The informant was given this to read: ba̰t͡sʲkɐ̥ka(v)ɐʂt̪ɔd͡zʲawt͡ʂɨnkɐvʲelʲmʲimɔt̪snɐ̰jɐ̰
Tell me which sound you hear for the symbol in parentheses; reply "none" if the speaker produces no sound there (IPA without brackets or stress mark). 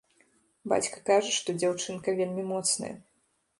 ʐ